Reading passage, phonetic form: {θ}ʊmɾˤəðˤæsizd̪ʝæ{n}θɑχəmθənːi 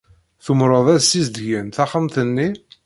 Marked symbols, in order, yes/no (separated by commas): yes, yes